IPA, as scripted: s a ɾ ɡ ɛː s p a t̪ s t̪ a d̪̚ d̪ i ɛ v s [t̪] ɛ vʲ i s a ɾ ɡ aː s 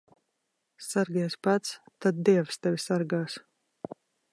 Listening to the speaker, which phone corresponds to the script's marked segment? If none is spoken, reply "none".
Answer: t̪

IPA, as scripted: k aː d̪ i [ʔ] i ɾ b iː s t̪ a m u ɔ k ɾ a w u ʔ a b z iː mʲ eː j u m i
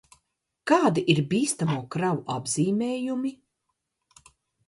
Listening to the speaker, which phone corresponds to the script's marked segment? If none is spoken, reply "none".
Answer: ʔ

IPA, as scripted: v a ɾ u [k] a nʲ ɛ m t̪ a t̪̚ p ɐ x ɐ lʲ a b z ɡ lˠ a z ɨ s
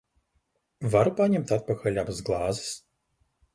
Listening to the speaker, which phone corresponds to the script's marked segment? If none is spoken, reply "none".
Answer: p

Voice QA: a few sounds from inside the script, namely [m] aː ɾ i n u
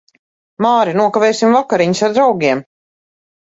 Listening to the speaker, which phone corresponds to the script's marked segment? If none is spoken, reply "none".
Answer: m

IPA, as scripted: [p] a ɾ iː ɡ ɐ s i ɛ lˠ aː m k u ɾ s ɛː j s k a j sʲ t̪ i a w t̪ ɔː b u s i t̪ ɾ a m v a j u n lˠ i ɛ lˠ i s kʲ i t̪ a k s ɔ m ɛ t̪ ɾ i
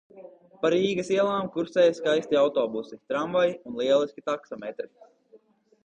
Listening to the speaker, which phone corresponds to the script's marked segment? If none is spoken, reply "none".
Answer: p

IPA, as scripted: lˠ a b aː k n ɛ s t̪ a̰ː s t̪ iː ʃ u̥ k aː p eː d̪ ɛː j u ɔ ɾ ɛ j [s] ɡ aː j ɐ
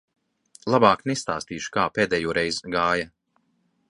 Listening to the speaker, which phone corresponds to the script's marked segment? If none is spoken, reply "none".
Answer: z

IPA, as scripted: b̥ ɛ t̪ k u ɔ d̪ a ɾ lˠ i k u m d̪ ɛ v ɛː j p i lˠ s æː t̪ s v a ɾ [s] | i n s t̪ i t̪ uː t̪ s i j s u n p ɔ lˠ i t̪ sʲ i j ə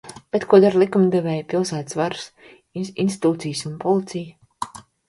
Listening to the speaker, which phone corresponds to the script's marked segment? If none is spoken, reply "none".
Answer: s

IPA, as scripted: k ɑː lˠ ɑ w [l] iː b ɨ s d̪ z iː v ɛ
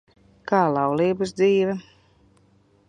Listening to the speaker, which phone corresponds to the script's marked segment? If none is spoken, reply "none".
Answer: l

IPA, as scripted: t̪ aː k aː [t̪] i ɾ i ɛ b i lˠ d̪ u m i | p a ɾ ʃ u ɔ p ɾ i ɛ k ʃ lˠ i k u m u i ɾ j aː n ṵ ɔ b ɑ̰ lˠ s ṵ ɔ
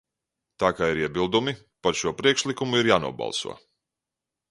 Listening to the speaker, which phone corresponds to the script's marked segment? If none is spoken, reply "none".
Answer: none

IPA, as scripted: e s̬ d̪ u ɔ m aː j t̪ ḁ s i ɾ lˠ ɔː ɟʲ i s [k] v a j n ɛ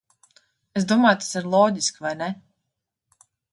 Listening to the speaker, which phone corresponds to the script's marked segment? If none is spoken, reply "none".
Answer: k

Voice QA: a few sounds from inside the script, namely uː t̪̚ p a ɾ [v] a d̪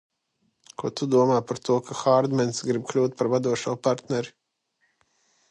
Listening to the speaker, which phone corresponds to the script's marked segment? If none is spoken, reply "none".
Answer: v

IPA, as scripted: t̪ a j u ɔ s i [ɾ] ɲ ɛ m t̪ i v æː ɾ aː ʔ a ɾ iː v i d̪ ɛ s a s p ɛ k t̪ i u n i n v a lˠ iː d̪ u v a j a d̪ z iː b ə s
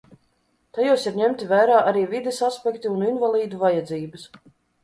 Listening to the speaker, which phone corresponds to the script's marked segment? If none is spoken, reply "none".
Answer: ɾ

